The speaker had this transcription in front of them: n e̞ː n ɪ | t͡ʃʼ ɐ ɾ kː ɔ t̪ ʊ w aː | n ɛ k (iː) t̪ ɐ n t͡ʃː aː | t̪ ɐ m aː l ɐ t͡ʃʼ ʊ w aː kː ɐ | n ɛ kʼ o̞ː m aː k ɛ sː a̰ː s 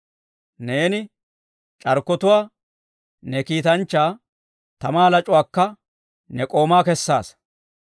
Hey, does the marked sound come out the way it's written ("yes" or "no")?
yes